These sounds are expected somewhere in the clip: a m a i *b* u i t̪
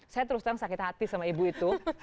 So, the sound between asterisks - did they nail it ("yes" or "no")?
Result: yes